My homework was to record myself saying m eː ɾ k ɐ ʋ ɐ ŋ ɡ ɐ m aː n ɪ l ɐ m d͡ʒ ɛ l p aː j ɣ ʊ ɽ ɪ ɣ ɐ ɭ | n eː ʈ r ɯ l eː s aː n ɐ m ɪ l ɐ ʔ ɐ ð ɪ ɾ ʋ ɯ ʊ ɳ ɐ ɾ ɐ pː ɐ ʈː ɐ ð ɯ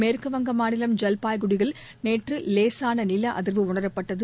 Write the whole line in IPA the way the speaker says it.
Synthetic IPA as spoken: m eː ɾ k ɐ ʋ ɐ ŋ ɡ ɐ m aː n ɪ l ɐ m d͡ʒ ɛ l p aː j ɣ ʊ ɽ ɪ ɣ ɐ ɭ | n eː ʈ r ɯ l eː s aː n ɐ n ɪ l ɐ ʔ ɐ ð ɪ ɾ ʋ ɯ ʊ ɳ ɐ ɾ ɐ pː ɐ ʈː ɐ ð ɯ